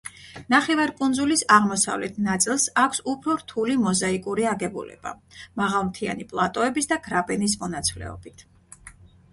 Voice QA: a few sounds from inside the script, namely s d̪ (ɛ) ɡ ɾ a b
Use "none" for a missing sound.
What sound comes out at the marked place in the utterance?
a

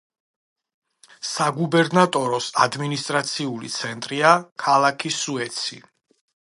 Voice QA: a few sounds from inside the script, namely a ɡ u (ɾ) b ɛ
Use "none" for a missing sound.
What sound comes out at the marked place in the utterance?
none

